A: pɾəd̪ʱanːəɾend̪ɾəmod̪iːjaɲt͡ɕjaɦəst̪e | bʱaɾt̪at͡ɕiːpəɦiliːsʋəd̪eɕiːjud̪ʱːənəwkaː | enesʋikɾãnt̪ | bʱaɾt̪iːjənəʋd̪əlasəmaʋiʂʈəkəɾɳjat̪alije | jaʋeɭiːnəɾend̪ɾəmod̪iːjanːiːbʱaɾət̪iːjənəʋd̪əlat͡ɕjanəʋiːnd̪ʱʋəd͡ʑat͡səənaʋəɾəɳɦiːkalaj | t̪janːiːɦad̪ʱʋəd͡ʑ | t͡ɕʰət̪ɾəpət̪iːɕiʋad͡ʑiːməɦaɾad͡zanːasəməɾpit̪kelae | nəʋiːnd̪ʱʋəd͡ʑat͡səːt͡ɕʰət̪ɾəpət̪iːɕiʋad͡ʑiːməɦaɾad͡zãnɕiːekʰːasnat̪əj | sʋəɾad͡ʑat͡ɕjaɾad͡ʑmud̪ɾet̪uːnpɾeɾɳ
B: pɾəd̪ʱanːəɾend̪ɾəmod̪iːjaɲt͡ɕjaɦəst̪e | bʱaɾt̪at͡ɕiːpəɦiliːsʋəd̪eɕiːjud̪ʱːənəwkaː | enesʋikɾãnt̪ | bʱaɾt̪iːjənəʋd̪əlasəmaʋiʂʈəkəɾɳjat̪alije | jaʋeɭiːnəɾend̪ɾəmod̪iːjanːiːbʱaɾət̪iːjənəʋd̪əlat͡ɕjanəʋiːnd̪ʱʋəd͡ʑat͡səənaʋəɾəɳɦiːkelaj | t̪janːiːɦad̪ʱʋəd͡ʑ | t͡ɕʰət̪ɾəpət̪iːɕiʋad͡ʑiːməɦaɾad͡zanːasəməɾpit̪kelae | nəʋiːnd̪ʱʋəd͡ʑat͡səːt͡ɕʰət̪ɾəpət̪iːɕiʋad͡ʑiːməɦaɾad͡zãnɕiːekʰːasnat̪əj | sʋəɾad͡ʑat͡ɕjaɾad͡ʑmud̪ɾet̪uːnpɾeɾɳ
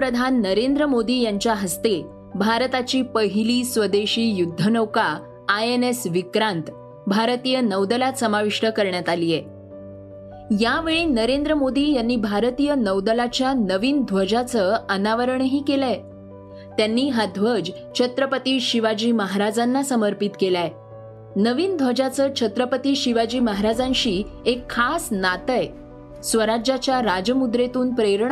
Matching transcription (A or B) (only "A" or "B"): B